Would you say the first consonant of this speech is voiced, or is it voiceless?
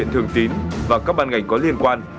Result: voiced